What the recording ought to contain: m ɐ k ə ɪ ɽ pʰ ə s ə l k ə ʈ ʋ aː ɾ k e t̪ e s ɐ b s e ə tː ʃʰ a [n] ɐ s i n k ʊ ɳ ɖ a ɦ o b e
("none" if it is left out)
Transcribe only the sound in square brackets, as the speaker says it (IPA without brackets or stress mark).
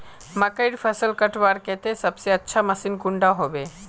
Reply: m